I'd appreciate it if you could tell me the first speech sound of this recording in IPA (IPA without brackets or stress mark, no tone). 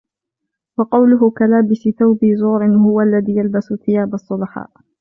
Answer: w